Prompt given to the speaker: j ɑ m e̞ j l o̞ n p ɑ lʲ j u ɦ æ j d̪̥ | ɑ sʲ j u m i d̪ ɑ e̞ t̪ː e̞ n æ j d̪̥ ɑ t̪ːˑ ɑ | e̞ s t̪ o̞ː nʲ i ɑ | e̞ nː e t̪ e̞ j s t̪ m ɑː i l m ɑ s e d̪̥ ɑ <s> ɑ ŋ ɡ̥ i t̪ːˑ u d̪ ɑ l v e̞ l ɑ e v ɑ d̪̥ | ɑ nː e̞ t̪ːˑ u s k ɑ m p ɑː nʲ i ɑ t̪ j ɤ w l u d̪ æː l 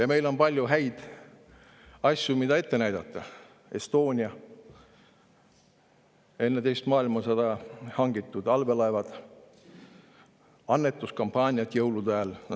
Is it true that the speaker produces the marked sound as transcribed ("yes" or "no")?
no